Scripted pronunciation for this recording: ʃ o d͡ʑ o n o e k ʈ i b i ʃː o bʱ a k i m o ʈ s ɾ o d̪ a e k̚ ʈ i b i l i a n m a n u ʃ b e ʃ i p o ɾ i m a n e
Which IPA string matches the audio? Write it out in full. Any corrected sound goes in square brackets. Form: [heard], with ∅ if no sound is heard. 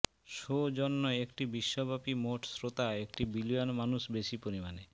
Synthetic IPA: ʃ o d͡ʑ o [nː] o e k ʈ i b i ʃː o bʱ a [p] i m o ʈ s ɾ o [t̪] a e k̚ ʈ i b i l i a n m a n u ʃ b e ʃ i p o ɾ i m a n e